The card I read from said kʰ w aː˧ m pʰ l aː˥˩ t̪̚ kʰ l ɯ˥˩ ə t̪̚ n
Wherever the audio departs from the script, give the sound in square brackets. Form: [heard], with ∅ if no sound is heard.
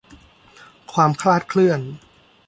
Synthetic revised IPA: kʰ w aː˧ m [kʰ] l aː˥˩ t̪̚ kʰ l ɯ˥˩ ə [∅] n

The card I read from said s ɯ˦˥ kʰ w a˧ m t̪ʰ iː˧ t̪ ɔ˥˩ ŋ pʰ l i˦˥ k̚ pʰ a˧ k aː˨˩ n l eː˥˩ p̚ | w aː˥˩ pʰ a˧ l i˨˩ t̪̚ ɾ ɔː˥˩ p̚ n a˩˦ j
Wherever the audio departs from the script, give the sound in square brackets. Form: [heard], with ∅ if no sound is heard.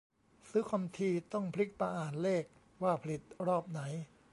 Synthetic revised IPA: s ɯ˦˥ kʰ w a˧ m t̪ʰ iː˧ t̪ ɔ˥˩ ŋ pʰ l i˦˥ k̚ [p] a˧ [ʔ] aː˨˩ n l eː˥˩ [k̚] | w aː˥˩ pʰ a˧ l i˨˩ t̪̚ ɾ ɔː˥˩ p̚ n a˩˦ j

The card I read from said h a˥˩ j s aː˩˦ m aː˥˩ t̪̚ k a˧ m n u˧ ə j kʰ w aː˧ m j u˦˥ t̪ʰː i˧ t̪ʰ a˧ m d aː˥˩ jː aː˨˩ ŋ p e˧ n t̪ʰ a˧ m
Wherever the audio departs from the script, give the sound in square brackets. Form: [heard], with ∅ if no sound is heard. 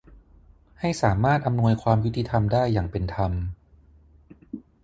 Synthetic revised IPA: h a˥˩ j s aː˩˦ m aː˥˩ t̪̚ [ʔ] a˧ m n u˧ ə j kʰ w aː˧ m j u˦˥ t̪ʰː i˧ t̪ʰ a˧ m d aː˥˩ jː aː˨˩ ŋ p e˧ n t̪ʰ a˧ m

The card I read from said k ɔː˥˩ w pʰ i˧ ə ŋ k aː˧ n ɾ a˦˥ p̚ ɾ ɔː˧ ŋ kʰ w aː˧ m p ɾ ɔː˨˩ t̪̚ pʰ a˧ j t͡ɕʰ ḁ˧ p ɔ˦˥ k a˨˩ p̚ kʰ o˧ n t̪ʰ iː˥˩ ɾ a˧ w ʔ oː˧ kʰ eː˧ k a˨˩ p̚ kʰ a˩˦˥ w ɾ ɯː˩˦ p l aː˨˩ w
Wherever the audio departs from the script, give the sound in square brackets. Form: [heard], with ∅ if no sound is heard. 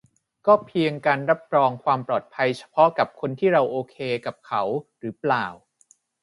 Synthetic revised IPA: k ɔː˥˩ [∅] pʰ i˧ ə ŋ k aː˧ n ɾ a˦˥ p̚ ɾ ɔː˧ ŋ kʰ w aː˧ m p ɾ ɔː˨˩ t̪̚ pʰ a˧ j t͡ɕʰ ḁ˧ [pʰ] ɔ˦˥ k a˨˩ p̚ kʰ o˧ n t̪ʰ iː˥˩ ɾ a˧ w ʔ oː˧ kʰ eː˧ k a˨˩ p̚ kʰ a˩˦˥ w ɾ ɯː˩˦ p l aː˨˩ w

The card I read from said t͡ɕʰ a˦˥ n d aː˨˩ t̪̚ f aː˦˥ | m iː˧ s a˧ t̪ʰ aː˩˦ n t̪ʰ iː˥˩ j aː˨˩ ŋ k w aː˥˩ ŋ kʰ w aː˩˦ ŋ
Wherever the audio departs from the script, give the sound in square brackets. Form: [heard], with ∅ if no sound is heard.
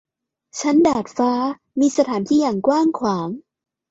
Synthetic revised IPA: t͡ɕʰ a˦˥ n d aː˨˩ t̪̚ f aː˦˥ | m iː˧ s a˧ t̪ʰ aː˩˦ n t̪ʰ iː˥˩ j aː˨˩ ŋ k w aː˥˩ ŋ kʰ w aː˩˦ ŋ

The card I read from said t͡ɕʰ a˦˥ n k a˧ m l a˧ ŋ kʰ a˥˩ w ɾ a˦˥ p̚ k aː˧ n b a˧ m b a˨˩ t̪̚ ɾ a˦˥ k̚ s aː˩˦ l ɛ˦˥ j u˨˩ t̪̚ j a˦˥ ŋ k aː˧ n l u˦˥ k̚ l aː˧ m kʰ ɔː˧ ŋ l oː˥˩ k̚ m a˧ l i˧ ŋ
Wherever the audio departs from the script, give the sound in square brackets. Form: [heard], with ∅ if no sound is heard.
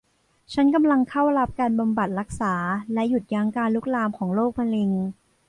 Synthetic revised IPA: t͡ɕʰ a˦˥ n k a˧ m l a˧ ŋ kʰ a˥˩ w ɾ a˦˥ p̚ k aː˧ n b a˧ m b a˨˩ t̪̚ ɾ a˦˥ k̚ s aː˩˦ l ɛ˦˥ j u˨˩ t̪̚ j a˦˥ ŋ k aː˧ n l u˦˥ k̚ l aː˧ m kʰ [ɔː˩˦] ŋ l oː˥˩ k̚ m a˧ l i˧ ŋ

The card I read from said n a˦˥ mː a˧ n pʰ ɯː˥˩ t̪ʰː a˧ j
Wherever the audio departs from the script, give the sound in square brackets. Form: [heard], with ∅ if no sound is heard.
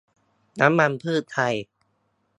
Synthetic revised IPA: n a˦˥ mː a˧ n pʰ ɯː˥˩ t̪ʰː a˧ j

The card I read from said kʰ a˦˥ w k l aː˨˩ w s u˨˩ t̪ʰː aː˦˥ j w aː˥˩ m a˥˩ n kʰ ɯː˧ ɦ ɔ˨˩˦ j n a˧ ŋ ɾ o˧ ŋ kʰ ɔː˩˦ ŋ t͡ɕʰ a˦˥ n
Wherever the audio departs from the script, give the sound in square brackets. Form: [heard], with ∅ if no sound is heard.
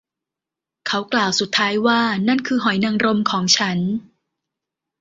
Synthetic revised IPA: kʰ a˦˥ w k l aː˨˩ w s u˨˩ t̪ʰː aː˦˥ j w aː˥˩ [n] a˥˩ n kʰ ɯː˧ ɦ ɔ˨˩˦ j n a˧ ŋ ɾ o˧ [m] kʰ ɔː˩˦ ŋ t͡ɕʰ a˦˥ n

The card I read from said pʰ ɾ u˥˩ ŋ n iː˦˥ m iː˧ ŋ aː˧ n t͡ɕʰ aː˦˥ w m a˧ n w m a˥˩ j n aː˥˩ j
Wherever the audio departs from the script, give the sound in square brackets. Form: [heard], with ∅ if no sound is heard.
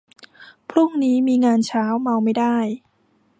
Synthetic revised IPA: pʰ ɾ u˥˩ ŋ n iː˦˥ m iː˧ ŋ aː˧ n t͡ɕʰ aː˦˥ w m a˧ [∅] w m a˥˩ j [d] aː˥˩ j

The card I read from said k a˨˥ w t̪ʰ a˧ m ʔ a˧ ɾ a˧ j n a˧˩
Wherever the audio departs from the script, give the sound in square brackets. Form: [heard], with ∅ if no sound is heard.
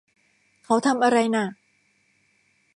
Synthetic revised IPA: [kʰ] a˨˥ w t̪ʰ a˧ m ʔ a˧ ɾ a˧ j n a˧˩

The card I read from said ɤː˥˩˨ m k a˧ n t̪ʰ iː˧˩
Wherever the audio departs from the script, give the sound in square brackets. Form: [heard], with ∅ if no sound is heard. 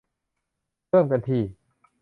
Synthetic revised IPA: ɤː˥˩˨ m k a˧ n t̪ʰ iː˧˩

